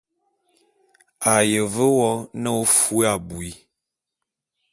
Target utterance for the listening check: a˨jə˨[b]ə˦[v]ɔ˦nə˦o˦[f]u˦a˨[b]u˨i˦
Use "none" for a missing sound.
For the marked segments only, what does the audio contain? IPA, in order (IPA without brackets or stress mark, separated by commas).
v, w, f, b